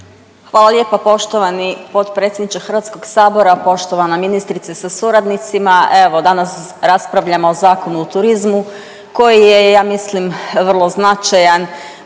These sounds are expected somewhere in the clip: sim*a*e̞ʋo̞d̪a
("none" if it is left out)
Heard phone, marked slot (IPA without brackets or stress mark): a